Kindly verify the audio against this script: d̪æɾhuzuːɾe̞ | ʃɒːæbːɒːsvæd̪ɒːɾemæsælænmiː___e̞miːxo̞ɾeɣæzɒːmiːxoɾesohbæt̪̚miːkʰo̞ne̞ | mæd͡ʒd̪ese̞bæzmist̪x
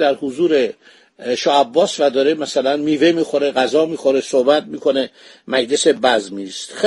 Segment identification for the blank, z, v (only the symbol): v